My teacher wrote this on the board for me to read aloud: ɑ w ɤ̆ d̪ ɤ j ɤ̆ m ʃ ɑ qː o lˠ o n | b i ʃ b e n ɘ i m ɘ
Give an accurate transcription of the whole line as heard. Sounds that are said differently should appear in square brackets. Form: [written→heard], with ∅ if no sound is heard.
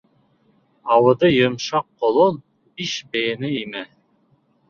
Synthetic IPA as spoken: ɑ w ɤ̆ d̪ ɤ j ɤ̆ m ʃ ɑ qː o lˠ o n | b i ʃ b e n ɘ i m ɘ